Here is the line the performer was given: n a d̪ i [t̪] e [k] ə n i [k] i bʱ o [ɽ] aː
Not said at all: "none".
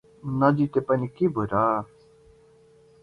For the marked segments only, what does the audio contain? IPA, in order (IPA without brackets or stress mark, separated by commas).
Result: t̪, p, k, ɾ